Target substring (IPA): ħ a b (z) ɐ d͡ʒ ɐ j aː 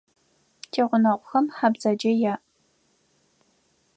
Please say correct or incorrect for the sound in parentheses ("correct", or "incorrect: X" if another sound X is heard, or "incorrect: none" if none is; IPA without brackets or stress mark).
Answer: correct